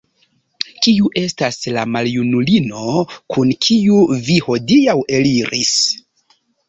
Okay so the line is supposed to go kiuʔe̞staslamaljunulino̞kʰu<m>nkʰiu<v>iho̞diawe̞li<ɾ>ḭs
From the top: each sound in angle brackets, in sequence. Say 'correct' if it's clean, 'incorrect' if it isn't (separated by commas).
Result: incorrect, correct, correct